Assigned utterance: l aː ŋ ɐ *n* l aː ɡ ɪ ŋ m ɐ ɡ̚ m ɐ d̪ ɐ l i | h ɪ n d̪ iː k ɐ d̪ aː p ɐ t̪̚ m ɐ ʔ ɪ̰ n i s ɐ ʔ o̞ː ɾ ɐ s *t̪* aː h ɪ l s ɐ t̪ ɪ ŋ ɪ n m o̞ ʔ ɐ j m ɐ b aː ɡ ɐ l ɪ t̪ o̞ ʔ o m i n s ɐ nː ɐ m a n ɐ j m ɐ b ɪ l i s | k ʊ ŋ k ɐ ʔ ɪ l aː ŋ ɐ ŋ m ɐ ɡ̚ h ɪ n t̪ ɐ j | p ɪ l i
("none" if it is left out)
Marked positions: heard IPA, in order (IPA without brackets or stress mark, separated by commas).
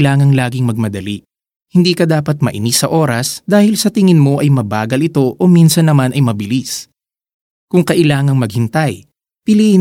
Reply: ŋ, d̪